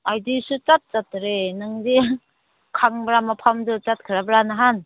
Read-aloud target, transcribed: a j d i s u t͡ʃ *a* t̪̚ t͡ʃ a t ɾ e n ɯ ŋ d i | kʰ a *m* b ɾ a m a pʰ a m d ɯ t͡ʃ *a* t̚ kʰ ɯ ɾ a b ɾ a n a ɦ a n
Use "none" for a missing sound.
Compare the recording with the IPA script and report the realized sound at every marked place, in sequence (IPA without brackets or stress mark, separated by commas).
a, ŋ, a